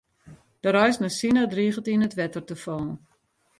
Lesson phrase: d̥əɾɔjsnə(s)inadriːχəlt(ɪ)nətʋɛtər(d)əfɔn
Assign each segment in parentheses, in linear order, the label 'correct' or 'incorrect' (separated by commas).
correct, incorrect, incorrect